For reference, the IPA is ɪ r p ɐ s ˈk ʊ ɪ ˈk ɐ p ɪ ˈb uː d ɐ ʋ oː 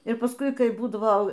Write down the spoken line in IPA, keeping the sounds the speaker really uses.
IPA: ɪ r p ɐ s ˈk ʊ ɪ ˈk ɐ ɪ ˈb uː d ɐ ʋ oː